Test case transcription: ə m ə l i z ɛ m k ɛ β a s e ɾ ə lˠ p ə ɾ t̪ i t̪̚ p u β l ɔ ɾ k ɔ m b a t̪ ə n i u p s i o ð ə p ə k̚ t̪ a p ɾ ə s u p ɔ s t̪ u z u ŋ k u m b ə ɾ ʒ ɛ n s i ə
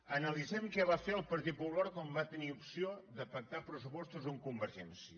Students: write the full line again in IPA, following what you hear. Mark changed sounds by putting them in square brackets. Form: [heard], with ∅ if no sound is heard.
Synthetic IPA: ə [n] ə l i z ɛ m k ɛ β a [f] e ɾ ə lˠ p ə ɾ t̪ i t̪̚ p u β l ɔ ɾ k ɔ m b a t̪ ə n i u p s i o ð ə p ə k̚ t̪ a p ɾ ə s u p ɔ s t̪ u z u ŋ k u m b ə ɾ ʒ ɛ n s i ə